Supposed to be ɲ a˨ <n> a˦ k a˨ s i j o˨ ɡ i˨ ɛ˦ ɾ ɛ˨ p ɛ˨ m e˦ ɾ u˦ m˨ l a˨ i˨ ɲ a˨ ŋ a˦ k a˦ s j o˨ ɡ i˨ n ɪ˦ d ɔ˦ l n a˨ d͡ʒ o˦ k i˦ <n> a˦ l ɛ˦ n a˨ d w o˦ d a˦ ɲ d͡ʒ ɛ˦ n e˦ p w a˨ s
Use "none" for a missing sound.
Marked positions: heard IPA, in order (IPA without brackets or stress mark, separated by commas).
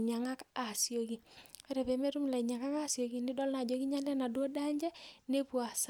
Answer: ŋ, ɲ